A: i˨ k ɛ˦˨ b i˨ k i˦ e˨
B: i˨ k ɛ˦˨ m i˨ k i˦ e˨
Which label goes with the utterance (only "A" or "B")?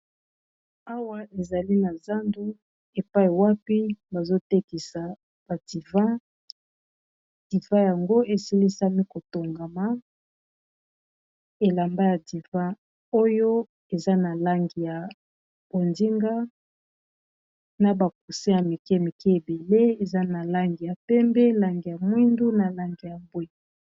B